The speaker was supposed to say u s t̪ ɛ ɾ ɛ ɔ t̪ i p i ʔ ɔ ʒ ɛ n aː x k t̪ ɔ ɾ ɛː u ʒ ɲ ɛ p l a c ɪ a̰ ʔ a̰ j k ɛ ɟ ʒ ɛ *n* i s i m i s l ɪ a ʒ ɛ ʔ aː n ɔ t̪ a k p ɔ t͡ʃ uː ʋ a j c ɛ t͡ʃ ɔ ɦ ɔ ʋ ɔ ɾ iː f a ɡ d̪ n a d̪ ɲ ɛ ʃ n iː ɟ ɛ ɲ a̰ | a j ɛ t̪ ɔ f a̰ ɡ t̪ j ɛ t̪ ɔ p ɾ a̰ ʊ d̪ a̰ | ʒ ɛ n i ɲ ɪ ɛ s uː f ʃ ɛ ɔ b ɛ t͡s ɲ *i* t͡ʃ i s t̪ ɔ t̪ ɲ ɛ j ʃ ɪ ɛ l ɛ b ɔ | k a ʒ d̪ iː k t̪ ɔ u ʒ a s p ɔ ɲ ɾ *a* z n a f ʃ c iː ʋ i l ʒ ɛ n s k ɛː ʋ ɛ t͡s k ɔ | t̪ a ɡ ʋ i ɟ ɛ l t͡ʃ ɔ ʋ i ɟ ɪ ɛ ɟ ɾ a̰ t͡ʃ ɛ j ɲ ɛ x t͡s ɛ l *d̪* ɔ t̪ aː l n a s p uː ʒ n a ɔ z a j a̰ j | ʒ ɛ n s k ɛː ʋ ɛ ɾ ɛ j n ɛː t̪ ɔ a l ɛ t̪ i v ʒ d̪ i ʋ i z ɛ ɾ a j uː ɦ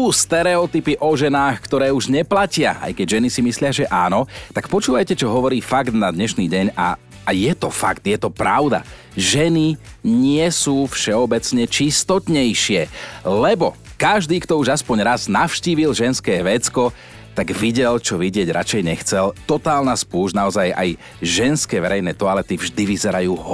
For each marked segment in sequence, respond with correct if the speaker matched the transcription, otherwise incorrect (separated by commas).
correct, incorrect, correct, incorrect